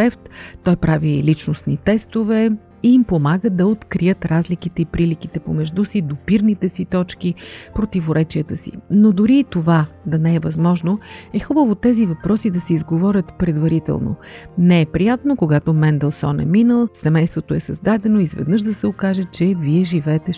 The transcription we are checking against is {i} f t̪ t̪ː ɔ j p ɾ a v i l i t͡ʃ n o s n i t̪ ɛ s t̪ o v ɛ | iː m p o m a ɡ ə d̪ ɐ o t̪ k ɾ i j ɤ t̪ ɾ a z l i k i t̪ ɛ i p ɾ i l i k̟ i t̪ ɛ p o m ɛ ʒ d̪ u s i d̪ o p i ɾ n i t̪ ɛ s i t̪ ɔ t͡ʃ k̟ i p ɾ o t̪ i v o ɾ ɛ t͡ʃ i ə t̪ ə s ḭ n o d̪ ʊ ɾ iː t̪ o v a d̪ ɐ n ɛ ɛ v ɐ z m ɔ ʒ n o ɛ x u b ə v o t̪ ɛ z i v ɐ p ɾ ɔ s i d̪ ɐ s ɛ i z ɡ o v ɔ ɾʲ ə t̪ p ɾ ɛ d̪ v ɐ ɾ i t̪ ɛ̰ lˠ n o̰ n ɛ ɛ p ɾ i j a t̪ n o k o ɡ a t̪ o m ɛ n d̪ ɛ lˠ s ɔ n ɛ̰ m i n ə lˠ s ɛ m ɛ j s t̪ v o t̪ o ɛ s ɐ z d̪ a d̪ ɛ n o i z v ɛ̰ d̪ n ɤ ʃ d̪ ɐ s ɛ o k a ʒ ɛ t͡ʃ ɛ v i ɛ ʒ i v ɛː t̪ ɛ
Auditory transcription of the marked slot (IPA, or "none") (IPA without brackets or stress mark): ɛ